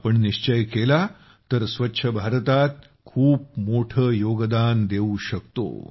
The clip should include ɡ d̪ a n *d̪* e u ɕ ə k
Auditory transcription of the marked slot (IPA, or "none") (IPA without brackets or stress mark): d̪